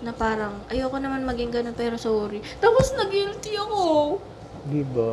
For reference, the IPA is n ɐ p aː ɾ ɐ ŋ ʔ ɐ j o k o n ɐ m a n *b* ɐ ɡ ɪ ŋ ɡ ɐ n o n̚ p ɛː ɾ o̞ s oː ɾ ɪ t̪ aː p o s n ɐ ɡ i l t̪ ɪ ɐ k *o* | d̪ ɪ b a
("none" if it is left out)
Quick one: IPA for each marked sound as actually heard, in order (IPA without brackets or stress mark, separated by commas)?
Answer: m, o